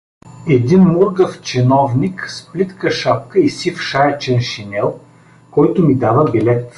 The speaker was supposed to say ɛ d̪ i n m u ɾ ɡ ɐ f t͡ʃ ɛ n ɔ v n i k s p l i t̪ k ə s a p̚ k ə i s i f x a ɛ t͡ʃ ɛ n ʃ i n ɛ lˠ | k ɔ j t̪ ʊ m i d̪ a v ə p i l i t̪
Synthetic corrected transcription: ɛ d̪ i n m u ɾ ɡ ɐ f t͡ʃ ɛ n ɔ v n i k s p l i t̪ k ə ʃ a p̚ k ə i s i f ʃ a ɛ t͡ʃ ɛ n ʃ i n ɛ lˠ | k ɔ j t̪ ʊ m i d̪ a v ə b i l ɛ t̪